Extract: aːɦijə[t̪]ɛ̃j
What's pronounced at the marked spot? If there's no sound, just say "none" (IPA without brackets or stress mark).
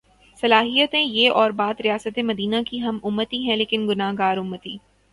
t̪